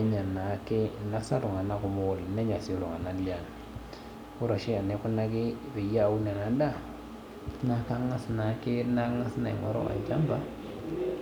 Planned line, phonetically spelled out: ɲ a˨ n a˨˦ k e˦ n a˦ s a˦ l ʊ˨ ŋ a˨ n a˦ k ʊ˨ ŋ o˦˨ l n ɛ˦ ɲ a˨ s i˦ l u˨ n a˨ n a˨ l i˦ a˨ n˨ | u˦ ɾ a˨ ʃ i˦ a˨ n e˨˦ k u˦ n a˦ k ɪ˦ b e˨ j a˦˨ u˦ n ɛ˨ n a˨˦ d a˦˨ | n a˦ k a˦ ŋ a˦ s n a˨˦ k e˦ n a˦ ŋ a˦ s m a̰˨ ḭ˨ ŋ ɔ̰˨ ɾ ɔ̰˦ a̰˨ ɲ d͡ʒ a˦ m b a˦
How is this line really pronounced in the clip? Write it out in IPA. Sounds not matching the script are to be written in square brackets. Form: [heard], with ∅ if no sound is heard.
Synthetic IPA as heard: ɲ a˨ n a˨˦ k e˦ n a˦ s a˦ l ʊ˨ ŋ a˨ n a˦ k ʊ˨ [m] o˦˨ l n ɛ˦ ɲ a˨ s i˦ l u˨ [ŋ] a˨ n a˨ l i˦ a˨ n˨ | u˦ ɾ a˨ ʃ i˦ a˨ n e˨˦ k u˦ n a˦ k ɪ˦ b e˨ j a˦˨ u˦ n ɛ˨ n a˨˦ d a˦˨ | n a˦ k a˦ ŋ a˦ s n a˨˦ k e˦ n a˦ ŋ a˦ s [n] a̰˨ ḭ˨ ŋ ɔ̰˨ ɾ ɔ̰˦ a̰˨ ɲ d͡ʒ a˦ m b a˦